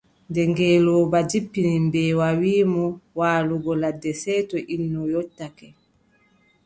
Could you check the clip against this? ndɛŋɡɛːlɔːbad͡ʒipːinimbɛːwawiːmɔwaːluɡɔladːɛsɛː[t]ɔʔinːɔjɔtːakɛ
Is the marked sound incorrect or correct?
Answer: correct